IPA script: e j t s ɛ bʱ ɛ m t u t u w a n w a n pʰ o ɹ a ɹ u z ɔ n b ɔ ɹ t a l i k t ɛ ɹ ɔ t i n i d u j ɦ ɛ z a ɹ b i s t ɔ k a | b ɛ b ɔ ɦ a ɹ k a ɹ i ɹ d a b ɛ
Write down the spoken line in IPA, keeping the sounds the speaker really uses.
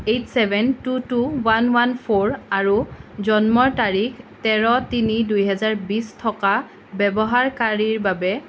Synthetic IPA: e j t s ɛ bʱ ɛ n t u t u w a n w a n pʰ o ɹ a ɹ u z ɔ n m ɔ ɹ t a ɹ i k t ɛ ɹ ɔ t i n i d u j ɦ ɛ z a ɹ b i s tʰ ɔ k a | b ɛ b ɔ ɦ a ɹ k a ɹ i ɹ b a b ɛ